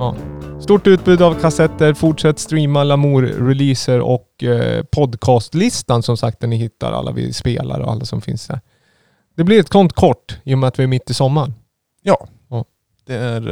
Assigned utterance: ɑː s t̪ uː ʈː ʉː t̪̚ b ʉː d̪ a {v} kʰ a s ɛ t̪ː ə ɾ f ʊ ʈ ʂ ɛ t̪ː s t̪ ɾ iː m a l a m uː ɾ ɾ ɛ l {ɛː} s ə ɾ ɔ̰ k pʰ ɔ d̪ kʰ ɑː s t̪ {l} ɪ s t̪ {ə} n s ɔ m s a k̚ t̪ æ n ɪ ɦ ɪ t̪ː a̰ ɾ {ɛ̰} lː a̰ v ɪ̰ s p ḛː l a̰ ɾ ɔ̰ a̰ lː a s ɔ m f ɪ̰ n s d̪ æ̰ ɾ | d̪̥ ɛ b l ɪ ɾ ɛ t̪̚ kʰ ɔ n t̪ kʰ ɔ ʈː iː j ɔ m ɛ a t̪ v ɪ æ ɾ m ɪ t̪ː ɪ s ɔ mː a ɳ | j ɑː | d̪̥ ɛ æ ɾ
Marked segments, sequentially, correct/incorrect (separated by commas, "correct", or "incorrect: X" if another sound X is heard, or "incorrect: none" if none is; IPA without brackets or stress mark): correct, incorrect: iː, correct, incorrect: a, incorrect: a̰